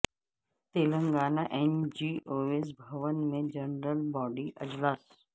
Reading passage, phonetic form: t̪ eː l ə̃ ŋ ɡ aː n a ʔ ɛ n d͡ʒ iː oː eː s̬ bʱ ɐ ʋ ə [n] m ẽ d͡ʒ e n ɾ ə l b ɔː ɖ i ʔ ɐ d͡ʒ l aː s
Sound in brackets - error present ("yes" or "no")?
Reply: no